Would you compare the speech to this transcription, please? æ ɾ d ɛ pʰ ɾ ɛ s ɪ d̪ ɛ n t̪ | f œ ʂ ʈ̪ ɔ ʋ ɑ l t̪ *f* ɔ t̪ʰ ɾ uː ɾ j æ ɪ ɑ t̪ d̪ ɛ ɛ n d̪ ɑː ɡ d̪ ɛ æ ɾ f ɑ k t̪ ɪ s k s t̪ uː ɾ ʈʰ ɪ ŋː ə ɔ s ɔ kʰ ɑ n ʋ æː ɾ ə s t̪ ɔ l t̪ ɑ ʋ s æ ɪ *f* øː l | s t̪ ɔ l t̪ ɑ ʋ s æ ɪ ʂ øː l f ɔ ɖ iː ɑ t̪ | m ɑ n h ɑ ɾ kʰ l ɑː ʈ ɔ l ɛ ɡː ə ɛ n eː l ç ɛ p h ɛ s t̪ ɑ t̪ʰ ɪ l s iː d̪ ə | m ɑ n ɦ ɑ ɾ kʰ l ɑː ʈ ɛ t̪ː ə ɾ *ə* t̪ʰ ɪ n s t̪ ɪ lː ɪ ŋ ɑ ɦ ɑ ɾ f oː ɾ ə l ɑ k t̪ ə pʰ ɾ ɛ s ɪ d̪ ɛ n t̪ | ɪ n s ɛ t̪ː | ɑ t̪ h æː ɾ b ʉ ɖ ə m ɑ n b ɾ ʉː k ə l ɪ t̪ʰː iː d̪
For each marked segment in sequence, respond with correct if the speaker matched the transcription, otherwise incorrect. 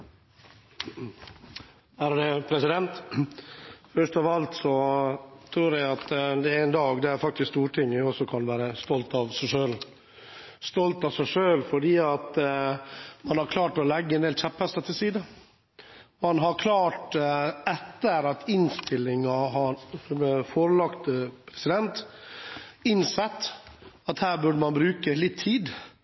incorrect, incorrect, incorrect

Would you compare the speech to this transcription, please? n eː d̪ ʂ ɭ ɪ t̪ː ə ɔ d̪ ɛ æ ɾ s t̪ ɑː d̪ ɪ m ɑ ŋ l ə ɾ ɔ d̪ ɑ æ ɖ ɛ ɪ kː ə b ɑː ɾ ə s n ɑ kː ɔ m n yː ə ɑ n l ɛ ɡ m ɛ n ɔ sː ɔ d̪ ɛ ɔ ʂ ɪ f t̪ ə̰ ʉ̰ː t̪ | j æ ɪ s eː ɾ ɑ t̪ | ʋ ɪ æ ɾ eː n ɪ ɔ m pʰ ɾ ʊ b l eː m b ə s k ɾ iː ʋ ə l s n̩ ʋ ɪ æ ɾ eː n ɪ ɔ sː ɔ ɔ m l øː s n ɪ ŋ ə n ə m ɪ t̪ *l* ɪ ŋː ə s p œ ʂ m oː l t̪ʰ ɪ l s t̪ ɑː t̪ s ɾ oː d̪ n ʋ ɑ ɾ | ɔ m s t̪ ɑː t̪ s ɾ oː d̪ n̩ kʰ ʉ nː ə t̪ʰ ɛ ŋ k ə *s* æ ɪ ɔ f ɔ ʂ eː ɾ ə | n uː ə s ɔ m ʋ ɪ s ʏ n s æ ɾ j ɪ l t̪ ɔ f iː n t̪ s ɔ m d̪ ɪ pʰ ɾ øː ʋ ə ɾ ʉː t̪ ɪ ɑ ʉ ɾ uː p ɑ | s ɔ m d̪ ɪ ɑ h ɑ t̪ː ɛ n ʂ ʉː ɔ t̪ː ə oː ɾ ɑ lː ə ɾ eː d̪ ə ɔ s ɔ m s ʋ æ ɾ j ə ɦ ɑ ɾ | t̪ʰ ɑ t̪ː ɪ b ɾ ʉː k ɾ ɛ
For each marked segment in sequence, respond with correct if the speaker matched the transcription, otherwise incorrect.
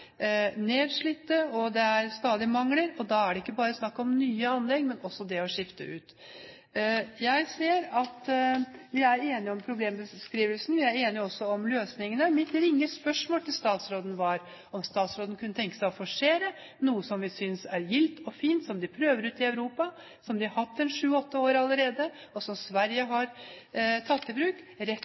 incorrect, correct

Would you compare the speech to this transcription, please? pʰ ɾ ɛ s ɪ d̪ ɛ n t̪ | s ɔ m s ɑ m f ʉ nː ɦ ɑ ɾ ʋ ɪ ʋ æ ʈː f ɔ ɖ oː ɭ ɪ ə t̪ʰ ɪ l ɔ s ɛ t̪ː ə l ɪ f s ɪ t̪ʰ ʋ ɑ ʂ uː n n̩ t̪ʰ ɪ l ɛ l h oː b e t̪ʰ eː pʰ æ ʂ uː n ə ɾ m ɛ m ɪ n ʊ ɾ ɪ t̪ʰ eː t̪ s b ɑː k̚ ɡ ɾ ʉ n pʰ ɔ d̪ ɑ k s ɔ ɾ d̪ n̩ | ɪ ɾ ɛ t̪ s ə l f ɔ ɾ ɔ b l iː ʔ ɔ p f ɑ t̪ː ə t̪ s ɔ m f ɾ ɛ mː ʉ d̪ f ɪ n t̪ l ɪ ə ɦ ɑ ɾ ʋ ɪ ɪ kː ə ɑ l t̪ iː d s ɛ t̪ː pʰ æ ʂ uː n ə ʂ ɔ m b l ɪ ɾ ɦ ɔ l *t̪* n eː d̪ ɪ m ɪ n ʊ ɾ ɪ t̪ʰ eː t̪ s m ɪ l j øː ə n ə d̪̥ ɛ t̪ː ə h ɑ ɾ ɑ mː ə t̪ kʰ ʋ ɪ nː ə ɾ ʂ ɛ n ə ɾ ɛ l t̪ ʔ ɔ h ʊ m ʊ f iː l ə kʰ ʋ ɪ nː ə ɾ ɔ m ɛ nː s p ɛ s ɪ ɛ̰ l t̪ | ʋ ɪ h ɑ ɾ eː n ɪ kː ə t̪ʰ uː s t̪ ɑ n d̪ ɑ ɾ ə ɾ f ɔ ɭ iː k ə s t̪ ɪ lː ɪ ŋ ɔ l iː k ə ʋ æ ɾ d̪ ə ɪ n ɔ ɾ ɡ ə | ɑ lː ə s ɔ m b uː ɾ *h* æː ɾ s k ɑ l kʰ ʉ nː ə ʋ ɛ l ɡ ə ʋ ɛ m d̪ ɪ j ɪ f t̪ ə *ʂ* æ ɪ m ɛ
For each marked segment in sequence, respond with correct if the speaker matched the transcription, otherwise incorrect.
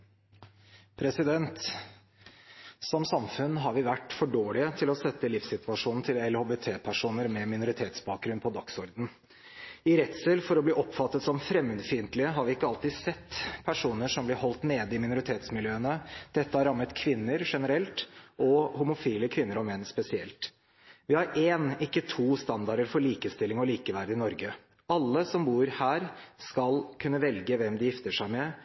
correct, correct, correct

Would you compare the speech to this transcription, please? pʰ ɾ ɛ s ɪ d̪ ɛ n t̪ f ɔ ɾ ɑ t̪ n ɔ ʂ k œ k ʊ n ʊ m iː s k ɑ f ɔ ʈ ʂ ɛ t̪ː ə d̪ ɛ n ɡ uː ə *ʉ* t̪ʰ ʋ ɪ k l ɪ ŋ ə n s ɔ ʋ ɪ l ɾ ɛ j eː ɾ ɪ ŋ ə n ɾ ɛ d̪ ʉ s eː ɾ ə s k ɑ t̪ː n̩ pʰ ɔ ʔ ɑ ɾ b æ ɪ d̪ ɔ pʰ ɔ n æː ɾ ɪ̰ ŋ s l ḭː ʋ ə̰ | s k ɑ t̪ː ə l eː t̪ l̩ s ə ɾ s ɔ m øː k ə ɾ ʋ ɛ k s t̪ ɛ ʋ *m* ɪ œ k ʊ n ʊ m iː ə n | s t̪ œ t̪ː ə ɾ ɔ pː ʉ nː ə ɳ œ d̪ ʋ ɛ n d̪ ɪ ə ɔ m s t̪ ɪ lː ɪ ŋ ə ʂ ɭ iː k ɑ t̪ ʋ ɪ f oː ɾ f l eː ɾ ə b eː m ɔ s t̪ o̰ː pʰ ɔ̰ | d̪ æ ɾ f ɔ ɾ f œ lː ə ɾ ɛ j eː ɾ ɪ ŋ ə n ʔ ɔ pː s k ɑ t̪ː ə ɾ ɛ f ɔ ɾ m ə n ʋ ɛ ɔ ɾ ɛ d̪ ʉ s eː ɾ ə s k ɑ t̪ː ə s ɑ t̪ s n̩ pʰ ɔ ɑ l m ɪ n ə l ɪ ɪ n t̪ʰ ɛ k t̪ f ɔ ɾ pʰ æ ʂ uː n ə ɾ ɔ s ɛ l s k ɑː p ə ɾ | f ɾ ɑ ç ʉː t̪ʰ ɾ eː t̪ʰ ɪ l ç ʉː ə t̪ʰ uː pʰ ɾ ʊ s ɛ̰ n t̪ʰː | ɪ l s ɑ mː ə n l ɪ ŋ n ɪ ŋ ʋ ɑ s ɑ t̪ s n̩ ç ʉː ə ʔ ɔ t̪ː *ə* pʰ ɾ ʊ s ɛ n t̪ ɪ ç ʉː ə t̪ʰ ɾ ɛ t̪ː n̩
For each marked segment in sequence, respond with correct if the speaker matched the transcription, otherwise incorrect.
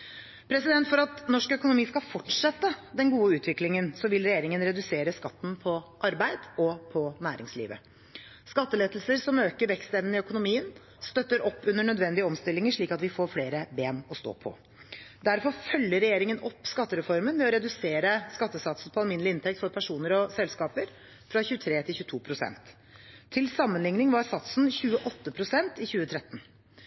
incorrect, incorrect, correct

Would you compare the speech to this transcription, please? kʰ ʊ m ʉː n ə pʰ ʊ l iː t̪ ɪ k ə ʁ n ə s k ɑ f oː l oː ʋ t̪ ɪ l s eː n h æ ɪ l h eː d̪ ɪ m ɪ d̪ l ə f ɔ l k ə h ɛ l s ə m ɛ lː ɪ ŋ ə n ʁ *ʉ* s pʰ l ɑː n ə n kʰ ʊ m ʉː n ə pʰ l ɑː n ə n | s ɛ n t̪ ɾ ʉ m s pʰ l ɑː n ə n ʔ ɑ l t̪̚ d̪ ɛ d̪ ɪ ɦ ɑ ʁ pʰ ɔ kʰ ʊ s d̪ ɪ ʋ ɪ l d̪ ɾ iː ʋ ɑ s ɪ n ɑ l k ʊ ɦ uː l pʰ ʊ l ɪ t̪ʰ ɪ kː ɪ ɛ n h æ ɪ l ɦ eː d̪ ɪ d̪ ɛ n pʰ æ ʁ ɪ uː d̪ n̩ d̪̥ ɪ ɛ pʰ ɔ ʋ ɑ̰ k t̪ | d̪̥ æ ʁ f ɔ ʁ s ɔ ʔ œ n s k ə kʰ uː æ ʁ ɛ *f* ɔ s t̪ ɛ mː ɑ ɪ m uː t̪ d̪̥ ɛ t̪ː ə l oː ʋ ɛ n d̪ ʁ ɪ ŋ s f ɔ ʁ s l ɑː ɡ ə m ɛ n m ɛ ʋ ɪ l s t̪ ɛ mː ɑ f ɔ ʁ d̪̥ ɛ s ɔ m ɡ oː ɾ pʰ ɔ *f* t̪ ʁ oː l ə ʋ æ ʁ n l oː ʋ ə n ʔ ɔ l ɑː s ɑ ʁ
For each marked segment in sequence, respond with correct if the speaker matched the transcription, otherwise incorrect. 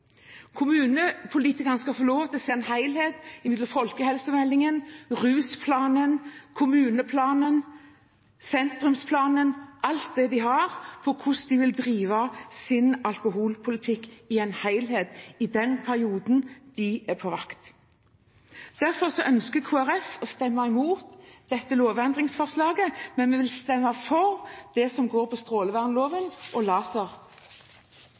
incorrect, correct, incorrect

